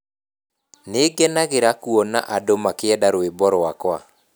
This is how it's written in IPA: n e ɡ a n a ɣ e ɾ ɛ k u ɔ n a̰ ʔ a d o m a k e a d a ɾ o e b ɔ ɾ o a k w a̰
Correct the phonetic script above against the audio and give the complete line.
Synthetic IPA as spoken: n e ɡ ɛ n a ɣ e ɾ a k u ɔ n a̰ ʔ a d o m a k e ɛ d a ɾ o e b ɔ ɾ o a k w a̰